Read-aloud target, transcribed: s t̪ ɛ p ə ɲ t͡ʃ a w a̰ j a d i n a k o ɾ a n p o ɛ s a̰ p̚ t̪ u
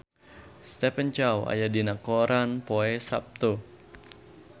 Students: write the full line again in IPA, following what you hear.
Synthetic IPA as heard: s t̪ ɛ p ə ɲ t͡ʃ a w a̰ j a d i n a k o ɾ a n p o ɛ s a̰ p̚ t̪ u